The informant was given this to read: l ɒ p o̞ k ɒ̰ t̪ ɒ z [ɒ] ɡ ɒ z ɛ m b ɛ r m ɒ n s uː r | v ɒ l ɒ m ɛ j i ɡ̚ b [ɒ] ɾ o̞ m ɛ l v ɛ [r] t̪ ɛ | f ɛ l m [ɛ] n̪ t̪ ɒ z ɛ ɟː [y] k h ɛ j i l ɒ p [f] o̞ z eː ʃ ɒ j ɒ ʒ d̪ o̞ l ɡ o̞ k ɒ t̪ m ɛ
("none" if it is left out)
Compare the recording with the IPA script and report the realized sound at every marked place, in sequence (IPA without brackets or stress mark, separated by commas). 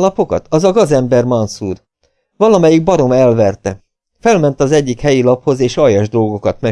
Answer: ɒ, ɒ, r, ɛ, i, h